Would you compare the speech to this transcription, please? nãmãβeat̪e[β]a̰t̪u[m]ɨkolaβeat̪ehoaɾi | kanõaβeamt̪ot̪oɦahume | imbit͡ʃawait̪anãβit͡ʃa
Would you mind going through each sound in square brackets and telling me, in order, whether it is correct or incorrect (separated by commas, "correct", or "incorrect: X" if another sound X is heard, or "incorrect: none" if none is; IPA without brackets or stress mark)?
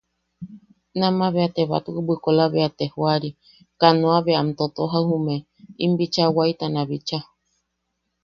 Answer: correct, incorrect: b